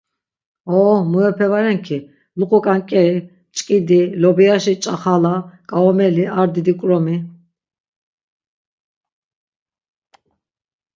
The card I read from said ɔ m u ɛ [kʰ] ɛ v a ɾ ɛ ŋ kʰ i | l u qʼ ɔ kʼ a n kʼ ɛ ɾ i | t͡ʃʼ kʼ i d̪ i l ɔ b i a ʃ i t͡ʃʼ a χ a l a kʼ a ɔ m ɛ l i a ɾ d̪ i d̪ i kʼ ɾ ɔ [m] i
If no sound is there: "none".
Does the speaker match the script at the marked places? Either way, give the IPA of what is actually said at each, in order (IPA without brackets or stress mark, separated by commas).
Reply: pʰ, m